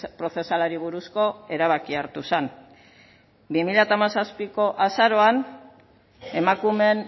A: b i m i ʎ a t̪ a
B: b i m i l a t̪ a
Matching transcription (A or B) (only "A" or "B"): A